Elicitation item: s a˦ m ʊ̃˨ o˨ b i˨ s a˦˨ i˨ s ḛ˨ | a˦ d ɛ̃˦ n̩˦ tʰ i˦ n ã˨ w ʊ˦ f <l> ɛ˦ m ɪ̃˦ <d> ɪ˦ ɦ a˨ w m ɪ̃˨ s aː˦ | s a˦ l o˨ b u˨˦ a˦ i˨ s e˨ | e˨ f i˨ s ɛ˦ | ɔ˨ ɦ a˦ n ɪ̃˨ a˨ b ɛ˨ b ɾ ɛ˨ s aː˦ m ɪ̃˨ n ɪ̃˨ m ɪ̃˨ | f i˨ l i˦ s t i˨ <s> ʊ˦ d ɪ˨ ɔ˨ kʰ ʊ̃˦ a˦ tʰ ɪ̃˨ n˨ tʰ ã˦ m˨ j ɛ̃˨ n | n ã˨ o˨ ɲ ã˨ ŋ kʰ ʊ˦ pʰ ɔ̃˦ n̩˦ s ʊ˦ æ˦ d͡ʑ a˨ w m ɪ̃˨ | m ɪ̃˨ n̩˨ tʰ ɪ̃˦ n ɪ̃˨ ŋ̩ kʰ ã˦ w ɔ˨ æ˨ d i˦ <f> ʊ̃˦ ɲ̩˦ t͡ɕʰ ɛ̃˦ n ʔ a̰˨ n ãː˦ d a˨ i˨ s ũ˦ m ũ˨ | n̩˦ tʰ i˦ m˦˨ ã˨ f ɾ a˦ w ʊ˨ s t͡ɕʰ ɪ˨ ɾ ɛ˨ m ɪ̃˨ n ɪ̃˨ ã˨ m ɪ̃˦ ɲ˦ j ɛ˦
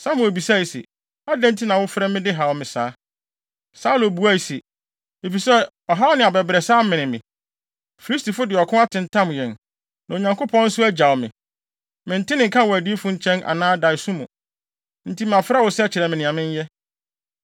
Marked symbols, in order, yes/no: no, yes, no, yes

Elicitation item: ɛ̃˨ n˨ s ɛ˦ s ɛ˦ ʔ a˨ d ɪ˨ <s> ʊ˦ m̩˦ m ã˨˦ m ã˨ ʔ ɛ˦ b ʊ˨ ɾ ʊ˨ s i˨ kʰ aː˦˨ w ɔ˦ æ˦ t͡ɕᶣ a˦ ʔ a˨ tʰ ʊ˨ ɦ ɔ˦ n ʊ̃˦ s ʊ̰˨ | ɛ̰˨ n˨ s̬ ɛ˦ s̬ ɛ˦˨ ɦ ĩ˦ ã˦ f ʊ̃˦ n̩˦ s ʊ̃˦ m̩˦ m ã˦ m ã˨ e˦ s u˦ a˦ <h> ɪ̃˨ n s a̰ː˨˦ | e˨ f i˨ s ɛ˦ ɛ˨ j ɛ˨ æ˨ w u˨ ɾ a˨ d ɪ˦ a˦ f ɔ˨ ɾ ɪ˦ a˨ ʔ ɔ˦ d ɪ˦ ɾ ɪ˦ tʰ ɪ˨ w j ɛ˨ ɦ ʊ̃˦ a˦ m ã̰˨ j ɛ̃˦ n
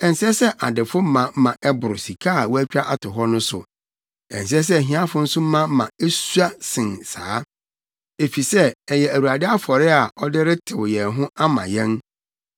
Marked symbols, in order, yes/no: no, no

